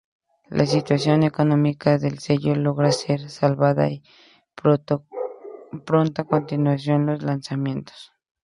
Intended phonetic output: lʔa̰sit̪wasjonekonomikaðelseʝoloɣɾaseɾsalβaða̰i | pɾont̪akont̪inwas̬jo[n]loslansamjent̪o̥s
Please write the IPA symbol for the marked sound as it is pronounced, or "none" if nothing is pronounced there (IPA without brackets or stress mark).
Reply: n